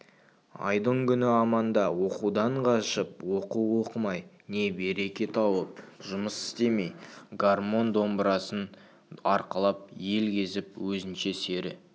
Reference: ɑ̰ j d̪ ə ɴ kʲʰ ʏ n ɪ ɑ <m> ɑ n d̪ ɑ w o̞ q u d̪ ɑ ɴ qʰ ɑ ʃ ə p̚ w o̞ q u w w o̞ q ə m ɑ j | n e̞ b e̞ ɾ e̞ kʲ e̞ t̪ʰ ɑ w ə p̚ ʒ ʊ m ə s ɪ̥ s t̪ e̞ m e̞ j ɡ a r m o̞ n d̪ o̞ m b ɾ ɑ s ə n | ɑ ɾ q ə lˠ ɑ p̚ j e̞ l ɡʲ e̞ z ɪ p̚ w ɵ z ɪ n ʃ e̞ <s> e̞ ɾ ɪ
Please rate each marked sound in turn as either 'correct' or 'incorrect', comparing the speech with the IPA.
correct, correct

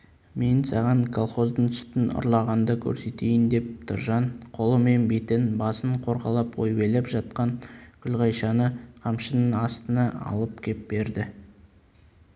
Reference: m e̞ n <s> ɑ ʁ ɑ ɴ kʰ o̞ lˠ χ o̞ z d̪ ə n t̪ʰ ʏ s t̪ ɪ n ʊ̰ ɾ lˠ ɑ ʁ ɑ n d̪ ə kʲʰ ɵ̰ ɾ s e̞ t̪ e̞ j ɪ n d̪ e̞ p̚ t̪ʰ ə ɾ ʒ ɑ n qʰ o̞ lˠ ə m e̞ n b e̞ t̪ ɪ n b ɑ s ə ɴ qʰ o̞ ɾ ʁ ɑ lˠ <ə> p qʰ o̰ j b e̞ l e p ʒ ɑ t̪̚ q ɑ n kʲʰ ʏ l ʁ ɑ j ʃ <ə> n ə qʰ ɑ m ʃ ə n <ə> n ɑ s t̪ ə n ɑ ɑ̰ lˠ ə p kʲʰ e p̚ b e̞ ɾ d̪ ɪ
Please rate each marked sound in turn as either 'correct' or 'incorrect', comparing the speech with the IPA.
correct, incorrect: ɑ, incorrect: ɑ, correct

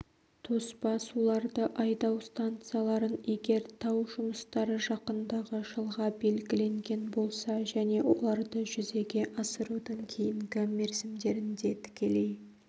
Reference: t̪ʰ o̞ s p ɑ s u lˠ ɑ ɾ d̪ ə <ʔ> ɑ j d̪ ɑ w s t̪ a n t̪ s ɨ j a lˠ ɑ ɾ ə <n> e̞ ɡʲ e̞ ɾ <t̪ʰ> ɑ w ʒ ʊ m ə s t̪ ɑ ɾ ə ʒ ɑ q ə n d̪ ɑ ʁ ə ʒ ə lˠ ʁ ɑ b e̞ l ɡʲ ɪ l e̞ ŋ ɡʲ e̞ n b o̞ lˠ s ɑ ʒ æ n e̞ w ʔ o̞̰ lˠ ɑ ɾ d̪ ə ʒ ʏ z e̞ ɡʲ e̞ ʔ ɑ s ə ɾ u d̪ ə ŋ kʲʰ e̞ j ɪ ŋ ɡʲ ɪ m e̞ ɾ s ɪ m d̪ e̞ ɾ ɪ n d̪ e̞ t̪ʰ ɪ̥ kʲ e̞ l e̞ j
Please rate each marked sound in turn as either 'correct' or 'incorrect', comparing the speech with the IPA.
correct, correct, correct

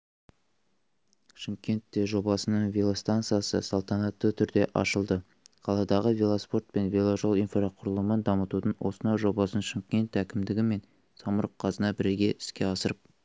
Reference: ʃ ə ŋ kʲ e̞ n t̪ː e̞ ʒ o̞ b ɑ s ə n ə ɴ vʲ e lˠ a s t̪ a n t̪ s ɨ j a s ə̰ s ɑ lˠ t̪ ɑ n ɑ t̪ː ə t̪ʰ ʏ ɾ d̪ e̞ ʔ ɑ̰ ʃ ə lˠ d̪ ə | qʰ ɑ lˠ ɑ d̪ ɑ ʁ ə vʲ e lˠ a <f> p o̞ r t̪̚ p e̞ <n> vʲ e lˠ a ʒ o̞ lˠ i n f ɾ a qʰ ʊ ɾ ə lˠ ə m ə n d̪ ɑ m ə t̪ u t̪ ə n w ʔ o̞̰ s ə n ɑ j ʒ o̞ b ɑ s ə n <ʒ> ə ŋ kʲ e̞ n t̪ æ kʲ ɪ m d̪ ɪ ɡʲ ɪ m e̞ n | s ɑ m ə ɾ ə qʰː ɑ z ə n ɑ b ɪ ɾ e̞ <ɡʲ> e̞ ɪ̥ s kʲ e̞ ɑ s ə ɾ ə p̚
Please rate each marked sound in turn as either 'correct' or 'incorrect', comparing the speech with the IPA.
incorrect: s, correct, incorrect: ʃ, correct

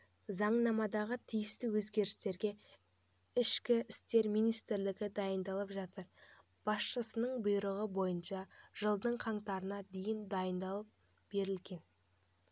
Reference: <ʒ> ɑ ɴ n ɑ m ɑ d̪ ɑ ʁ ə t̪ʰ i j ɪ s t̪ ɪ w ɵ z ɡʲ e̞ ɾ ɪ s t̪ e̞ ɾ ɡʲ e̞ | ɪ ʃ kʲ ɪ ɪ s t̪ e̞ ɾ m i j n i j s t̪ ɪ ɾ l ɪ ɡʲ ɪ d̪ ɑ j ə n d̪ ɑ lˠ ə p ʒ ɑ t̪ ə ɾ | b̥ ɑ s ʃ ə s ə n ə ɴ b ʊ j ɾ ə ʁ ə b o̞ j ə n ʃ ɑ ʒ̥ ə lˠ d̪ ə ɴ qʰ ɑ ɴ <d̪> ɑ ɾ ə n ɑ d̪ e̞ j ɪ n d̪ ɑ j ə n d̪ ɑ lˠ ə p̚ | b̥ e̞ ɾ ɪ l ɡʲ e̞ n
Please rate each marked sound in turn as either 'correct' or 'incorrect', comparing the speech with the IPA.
incorrect: z, incorrect: t̪

